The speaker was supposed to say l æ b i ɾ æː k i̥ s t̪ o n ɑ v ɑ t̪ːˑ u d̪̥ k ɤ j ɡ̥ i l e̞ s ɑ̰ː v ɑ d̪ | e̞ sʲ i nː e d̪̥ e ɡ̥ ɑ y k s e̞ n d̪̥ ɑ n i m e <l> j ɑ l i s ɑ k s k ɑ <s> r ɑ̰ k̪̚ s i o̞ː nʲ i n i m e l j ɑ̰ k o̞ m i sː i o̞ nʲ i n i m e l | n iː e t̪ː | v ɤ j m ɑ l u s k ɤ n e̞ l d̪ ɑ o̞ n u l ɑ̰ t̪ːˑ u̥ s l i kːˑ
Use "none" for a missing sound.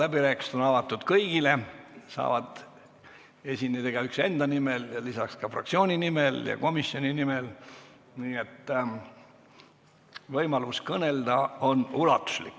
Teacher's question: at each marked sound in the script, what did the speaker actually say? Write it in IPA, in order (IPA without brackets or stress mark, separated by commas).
l, f